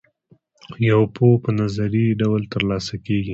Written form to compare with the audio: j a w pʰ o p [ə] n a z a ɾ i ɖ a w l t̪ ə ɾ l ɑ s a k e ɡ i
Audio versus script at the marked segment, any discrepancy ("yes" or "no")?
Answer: no